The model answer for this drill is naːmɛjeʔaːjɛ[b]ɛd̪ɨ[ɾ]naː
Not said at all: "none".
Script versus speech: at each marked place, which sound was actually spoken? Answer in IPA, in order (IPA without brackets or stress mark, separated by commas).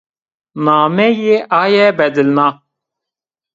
b, l